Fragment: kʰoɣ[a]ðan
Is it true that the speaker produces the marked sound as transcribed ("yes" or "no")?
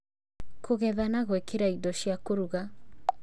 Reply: no